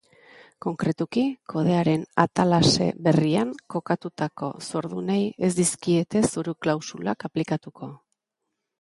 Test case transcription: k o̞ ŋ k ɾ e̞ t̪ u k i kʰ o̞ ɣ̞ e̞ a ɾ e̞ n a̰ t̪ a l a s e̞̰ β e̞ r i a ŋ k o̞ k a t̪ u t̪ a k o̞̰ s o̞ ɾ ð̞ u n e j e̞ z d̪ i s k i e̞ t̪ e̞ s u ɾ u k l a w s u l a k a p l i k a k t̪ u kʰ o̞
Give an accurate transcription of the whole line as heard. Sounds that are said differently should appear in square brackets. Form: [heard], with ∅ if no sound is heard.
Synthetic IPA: k o̞ ŋ k ɾ e̞ t̪ u k i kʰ o̞ [ð̞] e̞ a ɾ e̞ n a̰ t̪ a l a s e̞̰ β e̞ r i a ŋ k o̞ k a t̪ u t̪ a k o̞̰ s o̞ ɾ ð̞ u n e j e̞ z d̪ i s k i e̞ t̪ e̞ s u ɾ u k l a w s u l a k a p l i k a [∅] t̪ u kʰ o̞